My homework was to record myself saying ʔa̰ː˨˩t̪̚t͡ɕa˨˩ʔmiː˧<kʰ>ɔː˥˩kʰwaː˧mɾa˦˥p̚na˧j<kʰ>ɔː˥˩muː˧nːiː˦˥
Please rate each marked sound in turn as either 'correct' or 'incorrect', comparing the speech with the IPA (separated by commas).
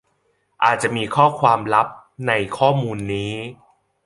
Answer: correct, correct